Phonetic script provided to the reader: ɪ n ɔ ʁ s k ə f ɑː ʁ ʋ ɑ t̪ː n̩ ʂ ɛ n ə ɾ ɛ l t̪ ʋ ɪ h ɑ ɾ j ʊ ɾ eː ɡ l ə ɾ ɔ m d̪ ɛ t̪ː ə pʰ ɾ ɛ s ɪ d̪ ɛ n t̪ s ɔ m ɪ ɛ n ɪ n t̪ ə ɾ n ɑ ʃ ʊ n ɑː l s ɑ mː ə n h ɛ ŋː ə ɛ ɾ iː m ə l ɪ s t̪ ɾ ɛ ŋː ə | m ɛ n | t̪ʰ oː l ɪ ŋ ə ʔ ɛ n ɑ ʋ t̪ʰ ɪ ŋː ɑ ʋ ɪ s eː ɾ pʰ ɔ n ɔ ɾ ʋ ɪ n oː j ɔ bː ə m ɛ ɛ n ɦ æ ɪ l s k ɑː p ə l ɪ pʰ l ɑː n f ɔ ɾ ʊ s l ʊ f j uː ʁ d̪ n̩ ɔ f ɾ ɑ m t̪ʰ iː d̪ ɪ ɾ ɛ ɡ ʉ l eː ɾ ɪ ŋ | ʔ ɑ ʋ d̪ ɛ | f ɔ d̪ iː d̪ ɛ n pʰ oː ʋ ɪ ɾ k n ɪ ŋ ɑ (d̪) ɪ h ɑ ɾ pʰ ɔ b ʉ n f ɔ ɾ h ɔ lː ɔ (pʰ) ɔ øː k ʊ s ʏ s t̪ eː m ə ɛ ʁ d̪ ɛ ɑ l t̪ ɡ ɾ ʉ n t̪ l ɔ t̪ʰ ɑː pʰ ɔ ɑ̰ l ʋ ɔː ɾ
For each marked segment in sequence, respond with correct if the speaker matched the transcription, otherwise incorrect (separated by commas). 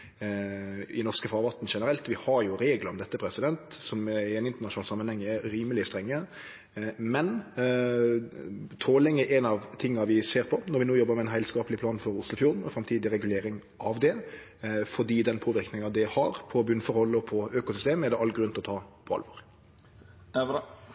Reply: correct, correct